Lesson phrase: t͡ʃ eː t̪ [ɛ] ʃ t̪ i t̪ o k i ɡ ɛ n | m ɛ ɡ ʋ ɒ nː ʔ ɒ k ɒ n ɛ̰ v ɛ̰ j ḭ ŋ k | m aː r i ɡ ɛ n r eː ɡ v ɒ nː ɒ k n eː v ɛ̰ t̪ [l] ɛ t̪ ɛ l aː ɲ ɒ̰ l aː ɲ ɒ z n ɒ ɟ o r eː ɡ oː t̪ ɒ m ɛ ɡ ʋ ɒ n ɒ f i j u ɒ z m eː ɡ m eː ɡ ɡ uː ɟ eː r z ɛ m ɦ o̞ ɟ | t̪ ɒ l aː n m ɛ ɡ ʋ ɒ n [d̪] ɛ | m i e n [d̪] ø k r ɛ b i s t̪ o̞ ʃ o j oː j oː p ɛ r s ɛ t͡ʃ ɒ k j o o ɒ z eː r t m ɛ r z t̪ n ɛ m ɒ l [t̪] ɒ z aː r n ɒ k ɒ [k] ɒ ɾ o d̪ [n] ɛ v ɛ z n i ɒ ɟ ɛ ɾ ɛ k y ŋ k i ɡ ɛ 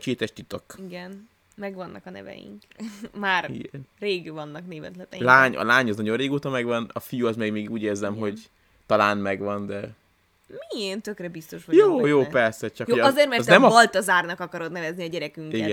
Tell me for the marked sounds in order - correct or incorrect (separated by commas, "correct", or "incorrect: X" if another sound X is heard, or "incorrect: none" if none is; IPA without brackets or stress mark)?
correct, correct, correct, incorrect: t̪, correct, correct, correct